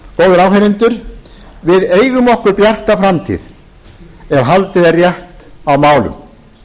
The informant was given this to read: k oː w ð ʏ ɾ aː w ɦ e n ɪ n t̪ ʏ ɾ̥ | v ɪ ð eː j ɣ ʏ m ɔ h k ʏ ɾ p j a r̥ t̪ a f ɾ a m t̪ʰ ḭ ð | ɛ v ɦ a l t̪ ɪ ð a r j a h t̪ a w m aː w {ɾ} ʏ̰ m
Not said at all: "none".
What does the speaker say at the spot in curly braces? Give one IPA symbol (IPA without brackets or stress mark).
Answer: l